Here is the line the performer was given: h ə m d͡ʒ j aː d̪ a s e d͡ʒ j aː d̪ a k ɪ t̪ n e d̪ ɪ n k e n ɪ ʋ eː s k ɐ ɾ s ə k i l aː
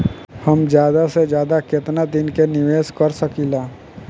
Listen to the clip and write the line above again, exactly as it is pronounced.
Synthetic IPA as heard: h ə m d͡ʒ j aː d̪ a s e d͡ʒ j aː d̪ a k ɪ t̪ n a d̪ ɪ n k e n ɪ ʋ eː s k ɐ ɾ s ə k i l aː